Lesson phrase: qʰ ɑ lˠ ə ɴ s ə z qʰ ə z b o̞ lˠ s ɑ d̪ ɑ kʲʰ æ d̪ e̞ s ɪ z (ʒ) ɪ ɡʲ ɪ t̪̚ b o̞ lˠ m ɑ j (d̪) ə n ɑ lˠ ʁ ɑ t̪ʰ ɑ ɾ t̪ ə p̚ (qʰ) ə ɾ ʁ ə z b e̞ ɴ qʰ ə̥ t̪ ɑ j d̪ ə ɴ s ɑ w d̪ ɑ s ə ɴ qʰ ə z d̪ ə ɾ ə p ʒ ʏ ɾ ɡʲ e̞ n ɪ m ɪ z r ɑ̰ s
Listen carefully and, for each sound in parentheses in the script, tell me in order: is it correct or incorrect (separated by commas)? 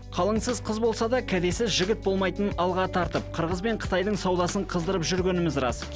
correct, incorrect, correct